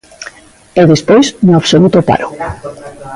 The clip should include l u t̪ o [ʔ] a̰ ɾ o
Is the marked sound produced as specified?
no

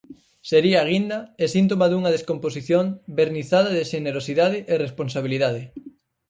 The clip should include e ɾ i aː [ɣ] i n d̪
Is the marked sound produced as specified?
yes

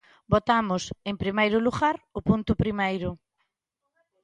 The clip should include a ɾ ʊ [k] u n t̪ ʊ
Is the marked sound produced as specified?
no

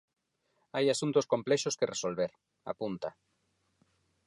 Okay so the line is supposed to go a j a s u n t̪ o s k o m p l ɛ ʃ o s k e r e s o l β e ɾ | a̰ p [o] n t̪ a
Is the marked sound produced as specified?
no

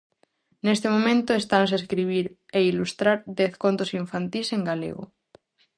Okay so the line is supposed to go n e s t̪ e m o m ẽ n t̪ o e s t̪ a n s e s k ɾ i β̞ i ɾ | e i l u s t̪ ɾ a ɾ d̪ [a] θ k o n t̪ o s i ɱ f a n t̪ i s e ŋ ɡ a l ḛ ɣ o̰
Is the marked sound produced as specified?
no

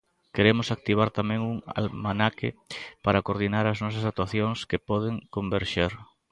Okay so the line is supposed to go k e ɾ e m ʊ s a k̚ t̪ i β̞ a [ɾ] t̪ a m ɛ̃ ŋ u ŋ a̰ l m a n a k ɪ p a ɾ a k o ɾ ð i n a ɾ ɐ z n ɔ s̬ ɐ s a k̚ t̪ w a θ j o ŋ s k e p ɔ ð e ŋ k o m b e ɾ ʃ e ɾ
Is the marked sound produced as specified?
yes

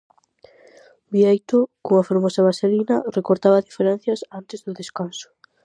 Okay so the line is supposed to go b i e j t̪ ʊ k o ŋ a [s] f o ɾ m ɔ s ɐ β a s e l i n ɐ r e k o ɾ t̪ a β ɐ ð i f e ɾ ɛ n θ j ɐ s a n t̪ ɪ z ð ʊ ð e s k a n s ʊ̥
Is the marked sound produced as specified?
no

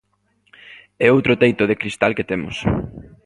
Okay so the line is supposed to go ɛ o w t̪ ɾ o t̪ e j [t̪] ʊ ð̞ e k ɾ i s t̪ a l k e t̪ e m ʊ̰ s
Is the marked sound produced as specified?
yes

